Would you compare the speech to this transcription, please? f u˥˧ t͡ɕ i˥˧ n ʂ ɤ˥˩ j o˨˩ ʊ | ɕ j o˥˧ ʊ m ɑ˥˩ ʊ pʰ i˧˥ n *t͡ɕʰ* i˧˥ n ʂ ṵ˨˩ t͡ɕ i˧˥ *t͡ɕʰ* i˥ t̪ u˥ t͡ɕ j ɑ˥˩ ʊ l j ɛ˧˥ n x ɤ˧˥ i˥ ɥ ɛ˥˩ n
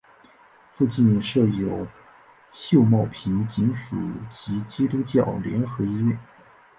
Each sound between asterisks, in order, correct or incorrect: incorrect: t͡ɕ, incorrect: t͡ɕ

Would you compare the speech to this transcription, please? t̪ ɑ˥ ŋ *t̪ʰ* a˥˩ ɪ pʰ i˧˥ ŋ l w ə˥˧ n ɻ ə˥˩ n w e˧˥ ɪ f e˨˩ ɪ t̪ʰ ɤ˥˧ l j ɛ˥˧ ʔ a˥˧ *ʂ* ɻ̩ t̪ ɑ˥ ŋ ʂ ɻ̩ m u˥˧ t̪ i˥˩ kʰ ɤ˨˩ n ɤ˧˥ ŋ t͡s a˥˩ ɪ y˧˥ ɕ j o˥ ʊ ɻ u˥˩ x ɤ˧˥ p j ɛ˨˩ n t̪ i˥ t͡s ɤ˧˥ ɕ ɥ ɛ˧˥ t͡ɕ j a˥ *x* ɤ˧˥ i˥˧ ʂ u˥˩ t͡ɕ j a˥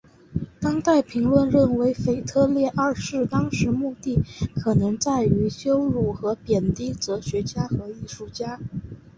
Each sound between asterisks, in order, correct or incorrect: incorrect: t̪, correct, correct

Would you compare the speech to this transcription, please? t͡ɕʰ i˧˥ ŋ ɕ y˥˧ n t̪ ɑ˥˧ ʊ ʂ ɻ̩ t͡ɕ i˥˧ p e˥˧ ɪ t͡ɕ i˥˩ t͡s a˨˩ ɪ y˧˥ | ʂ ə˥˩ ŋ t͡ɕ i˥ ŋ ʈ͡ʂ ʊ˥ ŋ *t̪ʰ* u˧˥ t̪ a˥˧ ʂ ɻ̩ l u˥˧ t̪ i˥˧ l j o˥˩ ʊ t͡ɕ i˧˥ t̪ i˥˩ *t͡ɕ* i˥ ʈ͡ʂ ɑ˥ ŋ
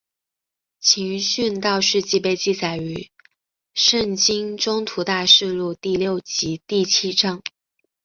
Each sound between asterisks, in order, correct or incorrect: correct, incorrect: t͡ɕʰ

